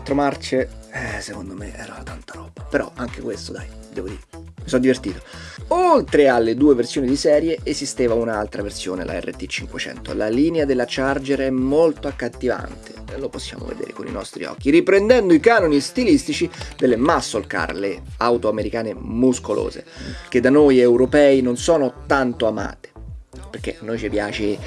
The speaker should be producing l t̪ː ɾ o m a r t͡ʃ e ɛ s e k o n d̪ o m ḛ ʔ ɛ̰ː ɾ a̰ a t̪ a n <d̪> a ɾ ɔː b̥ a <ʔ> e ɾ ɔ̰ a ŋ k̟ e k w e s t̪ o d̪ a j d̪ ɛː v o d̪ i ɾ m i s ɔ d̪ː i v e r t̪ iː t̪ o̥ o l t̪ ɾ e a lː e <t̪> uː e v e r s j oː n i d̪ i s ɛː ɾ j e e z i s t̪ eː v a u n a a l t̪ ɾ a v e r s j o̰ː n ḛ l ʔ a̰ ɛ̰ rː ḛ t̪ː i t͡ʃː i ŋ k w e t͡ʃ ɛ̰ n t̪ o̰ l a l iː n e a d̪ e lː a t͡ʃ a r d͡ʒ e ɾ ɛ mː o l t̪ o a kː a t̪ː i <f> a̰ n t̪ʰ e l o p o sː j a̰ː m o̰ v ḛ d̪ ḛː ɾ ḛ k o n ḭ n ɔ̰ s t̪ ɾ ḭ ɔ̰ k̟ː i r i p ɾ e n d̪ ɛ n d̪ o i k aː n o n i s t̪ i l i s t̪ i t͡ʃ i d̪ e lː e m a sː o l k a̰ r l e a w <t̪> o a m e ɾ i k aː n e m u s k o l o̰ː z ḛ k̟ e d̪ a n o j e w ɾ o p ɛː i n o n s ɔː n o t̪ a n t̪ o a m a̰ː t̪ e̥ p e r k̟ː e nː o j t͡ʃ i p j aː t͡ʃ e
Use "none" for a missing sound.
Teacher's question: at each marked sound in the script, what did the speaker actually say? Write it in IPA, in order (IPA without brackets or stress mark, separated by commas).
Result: t̪, p, d̪, v, t̪